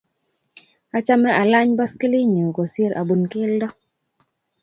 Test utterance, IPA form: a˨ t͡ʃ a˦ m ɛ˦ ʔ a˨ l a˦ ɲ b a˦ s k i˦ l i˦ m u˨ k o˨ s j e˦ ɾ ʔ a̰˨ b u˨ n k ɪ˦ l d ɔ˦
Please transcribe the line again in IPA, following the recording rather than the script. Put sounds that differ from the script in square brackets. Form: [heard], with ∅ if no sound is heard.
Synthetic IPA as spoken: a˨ t͡ʃ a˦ m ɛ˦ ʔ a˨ l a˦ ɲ b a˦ s k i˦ l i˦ [ɲ] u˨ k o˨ s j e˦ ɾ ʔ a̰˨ b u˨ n k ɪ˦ l d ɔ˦